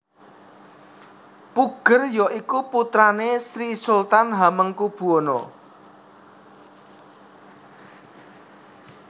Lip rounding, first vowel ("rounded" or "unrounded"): rounded